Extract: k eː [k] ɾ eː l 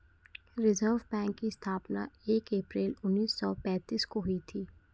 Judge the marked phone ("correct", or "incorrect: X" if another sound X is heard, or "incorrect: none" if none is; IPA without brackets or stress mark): incorrect: p